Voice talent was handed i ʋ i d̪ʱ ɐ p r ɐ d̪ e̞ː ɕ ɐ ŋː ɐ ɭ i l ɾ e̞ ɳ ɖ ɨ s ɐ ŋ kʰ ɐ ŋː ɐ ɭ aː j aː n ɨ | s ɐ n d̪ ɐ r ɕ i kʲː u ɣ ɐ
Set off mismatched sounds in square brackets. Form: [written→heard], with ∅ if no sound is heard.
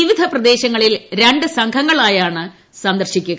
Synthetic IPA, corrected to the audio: i ʋ i d̪ʱ ɐ p r ɐ d̪ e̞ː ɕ ɐ ŋː ɐ ɭ i l ɾ e̞ ɳ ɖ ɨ s ɐ ŋ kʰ ɐ ŋː ɐ ɭ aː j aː [n→ɳ] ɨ | s ɐ n d̪ ɐ r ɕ i kʲː u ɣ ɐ